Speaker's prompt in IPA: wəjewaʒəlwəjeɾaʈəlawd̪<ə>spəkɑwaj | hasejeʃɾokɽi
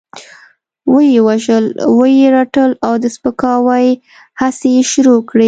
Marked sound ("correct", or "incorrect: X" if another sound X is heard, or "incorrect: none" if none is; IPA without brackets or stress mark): correct